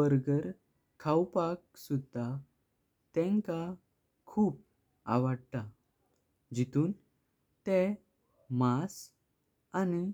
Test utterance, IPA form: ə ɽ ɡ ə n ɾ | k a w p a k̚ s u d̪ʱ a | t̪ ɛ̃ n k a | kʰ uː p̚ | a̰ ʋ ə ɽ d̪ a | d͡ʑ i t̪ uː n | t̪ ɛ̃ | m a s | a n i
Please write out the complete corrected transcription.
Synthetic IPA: ə ɾ ɡ ə ɾ | kʰ a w p a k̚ s u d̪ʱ a | t̪ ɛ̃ ŋ k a | kʰ uː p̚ | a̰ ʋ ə ɽ t̪ a | d͡ʑ i t̪ uː n | t̪ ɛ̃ | m a s | a n i